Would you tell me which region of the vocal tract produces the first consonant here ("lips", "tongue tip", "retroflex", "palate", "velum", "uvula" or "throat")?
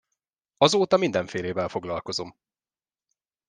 tongue tip